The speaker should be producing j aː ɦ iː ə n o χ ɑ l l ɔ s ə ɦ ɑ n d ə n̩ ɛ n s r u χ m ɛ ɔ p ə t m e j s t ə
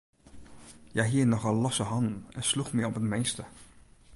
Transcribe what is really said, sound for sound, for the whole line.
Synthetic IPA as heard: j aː ɦ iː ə n ɔ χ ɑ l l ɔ s ə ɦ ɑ n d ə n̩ ɛ n s l u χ m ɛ ɔ p ə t m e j s t ə